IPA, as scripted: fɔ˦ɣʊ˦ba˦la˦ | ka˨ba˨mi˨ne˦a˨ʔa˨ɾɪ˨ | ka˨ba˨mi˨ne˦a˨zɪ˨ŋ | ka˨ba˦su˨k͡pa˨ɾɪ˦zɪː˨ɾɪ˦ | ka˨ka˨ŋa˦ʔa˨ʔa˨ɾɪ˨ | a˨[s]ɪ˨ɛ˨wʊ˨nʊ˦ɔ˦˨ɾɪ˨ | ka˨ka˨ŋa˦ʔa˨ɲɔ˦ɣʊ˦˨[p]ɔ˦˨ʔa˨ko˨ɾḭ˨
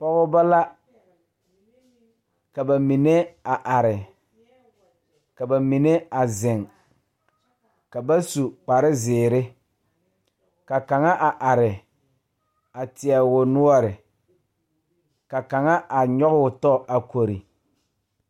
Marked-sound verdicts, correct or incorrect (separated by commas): incorrect, incorrect